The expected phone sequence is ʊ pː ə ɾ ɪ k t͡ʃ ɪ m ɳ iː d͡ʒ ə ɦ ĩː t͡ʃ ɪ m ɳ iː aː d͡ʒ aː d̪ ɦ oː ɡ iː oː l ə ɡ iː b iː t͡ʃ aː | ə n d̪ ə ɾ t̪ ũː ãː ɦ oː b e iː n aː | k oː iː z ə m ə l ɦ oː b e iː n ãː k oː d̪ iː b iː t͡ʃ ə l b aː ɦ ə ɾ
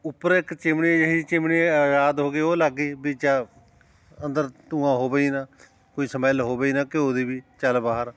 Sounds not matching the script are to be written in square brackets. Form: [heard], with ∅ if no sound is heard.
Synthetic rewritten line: ʊ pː ə ɾ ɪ k t͡ʃ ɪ m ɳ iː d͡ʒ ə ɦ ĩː t͡ʃ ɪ m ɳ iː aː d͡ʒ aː d̪ ɦ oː ɡ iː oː l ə ɡ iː b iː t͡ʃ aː | ə n d̪ ə ɾ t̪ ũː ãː ɦ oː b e iː n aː | k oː iː [s] ə m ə l ɦ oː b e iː n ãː k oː d̪ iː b iː t͡ʃ ə l b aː ɦ ə ɾ